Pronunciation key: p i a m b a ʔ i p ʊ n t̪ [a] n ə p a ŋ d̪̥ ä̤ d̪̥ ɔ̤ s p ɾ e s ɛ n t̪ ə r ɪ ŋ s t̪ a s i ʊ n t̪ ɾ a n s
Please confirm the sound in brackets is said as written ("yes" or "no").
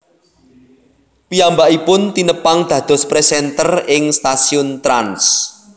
no